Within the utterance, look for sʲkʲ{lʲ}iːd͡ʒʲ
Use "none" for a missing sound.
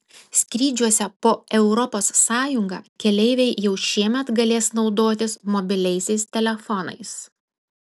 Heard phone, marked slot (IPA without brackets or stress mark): ɾʲ